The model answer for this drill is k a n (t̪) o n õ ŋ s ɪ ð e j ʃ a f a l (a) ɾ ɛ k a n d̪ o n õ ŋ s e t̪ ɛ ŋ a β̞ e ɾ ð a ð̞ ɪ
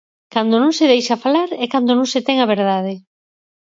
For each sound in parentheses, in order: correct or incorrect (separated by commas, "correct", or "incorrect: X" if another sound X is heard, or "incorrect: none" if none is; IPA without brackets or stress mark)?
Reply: incorrect: d̪, correct